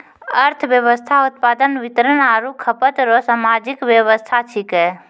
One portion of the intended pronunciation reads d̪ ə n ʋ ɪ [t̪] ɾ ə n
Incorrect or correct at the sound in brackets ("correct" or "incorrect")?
correct